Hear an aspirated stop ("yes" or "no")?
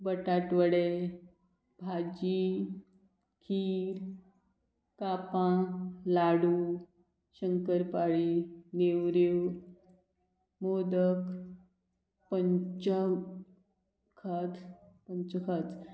yes